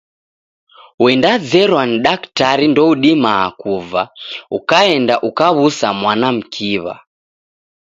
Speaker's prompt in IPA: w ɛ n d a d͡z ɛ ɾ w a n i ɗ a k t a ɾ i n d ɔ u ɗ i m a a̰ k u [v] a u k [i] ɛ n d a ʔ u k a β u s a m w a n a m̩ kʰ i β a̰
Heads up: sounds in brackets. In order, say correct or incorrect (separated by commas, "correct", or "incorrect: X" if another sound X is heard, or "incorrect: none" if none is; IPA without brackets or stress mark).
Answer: correct, incorrect: a